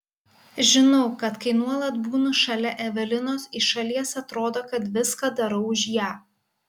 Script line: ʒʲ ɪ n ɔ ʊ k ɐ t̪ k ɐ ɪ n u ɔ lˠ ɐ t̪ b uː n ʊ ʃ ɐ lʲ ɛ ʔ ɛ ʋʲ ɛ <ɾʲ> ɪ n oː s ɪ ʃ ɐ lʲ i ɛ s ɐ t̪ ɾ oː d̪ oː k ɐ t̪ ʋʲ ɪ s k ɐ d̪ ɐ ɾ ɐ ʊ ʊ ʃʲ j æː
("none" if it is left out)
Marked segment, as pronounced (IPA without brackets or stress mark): lʲ